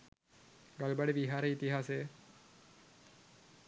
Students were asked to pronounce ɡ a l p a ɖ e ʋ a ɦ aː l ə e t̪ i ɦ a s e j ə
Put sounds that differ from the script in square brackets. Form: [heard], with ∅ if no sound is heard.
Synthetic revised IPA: ɡ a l [b] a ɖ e ʋ [i] ɦ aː [ɾ] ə [i] t̪ i ɦ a s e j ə